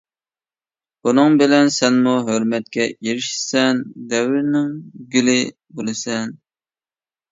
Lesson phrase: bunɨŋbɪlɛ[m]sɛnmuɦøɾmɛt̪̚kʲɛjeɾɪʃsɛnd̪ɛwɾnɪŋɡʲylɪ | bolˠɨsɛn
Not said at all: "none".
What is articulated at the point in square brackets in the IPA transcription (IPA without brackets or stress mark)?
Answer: n